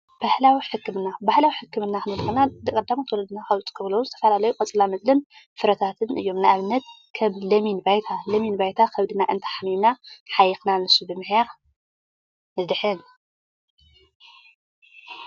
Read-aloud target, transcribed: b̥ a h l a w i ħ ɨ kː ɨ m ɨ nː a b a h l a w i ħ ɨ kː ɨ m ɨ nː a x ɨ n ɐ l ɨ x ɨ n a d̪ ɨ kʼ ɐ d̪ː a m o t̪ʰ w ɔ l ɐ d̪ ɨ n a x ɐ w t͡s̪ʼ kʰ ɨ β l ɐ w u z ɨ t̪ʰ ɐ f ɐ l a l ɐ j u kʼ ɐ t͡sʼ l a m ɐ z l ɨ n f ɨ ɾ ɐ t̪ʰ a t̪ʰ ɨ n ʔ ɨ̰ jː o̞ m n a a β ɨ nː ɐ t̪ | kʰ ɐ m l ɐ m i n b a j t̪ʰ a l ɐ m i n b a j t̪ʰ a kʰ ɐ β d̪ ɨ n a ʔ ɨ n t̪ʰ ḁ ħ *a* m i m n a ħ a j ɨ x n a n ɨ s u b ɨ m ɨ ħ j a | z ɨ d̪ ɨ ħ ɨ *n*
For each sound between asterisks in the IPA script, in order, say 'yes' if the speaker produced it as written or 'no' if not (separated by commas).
yes, yes